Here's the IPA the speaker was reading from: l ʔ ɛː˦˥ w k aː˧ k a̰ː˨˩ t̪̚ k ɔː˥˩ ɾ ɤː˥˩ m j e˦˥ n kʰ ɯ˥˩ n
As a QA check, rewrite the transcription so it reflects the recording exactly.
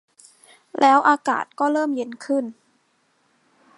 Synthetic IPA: l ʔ ɛː˦˥ w ʔ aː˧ k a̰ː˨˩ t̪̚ k ɔː˥˩ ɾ ɤː˥˩ m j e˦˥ n kʰ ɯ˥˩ n